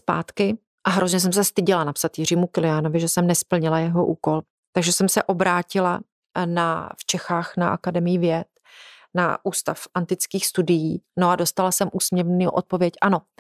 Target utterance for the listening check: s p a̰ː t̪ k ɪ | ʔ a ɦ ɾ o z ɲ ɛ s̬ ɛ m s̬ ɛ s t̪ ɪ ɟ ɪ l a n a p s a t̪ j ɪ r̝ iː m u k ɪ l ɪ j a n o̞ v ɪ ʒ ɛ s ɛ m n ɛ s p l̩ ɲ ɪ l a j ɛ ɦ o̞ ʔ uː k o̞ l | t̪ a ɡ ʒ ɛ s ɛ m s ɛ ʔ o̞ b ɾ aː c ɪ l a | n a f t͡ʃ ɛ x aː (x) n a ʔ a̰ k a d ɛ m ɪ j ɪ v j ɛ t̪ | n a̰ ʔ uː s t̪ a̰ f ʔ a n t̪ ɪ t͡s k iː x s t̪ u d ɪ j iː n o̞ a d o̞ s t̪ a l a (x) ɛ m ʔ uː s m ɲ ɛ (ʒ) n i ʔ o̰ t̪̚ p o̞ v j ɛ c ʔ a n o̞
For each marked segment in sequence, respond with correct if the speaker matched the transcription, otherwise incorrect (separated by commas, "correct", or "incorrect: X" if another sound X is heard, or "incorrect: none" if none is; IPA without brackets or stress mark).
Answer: correct, incorrect: s, incorrect: v